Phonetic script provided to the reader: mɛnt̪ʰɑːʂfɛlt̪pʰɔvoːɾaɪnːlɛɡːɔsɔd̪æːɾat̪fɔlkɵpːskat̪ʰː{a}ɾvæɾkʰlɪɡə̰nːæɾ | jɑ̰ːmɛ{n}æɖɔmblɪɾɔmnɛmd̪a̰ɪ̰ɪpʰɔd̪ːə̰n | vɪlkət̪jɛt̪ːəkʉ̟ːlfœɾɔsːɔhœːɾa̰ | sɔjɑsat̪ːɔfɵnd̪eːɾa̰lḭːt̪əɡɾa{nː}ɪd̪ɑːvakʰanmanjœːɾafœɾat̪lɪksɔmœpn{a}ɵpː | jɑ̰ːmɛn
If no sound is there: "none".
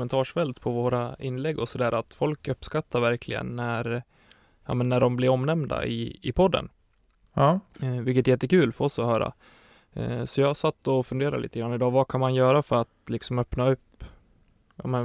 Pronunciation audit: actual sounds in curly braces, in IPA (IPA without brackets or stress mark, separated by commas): a, nː, nː, a